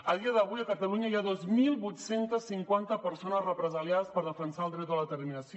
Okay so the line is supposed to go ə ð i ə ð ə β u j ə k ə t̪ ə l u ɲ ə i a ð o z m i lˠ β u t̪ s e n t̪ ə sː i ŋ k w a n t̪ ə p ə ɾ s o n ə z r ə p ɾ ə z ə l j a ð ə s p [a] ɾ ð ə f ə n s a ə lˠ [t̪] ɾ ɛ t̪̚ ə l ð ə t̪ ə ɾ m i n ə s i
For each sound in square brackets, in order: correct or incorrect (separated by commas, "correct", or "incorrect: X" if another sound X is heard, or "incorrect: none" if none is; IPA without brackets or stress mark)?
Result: incorrect: ə, incorrect: d̪